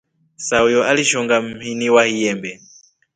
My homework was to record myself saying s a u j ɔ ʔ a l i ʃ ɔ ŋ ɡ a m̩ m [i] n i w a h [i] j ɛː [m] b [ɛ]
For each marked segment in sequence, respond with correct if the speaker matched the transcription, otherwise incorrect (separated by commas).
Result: correct, correct, correct, correct